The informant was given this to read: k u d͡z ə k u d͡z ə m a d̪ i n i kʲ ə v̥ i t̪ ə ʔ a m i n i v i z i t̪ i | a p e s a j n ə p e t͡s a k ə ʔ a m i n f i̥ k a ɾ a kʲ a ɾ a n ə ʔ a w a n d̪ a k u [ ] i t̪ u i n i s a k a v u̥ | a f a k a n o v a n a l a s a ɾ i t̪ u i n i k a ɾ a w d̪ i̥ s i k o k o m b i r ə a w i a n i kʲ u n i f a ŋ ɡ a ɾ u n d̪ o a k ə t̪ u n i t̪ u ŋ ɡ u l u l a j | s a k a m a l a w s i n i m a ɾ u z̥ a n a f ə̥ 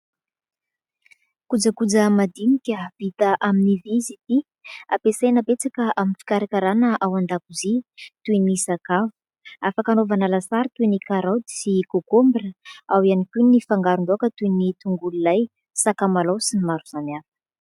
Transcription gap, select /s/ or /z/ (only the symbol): z